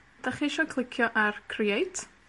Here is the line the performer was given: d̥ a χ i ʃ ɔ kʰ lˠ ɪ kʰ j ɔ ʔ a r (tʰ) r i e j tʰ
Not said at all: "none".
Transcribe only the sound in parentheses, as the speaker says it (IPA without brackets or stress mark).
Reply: kʰ